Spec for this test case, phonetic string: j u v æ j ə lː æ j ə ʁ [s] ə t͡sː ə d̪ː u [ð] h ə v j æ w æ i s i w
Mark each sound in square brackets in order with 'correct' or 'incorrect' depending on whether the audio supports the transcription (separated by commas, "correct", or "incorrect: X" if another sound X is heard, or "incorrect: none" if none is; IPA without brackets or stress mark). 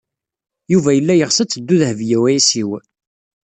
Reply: correct, correct